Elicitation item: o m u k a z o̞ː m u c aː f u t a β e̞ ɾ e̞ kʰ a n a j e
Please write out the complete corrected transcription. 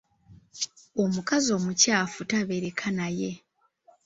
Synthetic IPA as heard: o m u k a z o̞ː m u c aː f u t a β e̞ ɾ e̞ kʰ a n a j e